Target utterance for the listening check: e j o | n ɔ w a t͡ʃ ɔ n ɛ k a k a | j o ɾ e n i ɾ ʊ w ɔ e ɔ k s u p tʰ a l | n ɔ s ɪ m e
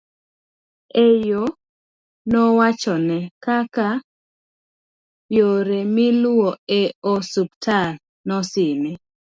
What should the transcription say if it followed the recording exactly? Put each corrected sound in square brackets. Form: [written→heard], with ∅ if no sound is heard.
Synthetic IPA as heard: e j o | n ɔ w a t͡ʃ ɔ n ɛ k a k a | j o ɾ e [n→m] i [ɾ→l] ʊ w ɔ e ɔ [k→∅] s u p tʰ a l | n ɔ s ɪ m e